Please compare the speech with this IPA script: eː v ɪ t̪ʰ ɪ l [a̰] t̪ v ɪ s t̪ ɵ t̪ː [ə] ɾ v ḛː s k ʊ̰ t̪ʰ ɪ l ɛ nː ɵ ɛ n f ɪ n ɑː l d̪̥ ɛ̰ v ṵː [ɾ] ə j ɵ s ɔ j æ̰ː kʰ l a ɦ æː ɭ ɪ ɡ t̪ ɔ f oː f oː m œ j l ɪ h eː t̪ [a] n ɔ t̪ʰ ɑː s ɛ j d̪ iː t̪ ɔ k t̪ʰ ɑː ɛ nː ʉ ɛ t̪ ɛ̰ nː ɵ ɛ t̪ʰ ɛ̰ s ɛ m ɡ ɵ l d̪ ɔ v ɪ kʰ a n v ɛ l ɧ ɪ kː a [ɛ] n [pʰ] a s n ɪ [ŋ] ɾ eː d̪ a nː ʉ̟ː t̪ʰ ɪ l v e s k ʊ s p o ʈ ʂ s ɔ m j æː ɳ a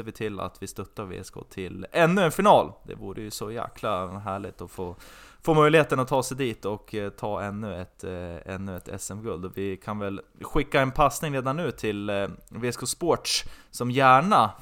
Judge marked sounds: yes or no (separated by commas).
yes, no, yes, no, yes, yes, yes